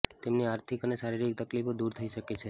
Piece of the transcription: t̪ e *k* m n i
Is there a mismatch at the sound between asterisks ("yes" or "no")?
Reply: yes